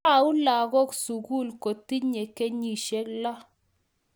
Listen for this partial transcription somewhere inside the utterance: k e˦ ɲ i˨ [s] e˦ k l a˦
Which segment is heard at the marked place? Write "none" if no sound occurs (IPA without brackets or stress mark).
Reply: ʃ